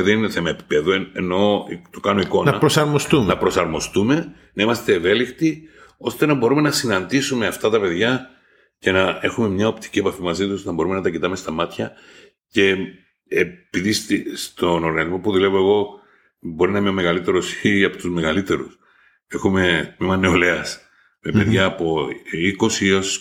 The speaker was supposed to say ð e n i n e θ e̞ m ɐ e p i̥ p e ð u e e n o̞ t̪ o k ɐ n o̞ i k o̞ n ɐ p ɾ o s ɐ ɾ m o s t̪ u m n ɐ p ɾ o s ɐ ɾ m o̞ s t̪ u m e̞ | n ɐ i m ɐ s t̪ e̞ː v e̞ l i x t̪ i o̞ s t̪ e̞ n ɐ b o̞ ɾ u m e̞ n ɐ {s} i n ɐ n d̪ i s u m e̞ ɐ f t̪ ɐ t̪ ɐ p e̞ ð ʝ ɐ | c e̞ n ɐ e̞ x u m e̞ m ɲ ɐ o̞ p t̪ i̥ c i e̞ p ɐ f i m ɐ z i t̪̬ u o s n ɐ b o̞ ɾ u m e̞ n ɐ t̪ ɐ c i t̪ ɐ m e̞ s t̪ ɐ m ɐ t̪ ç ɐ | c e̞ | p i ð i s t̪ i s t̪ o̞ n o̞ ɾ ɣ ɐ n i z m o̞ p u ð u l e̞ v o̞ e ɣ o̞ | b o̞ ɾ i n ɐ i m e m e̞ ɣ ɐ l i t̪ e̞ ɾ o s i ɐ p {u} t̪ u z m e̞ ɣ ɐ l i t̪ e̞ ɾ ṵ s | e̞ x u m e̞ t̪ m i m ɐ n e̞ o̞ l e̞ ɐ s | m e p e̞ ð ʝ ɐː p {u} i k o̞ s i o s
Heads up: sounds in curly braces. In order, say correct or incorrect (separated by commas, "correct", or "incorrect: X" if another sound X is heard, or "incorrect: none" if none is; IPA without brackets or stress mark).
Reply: correct, incorrect: o, incorrect: o